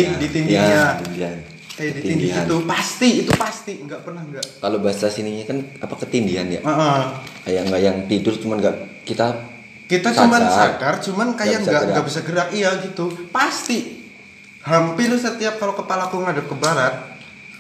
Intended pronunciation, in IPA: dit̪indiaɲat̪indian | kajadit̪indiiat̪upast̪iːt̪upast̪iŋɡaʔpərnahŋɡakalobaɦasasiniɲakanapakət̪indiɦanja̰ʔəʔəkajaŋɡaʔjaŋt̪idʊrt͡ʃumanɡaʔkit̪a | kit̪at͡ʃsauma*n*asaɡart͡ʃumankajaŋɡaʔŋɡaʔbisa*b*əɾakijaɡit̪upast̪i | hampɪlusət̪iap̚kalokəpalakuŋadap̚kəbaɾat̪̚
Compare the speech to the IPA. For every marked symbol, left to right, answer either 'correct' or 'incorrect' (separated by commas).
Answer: correct, incorrect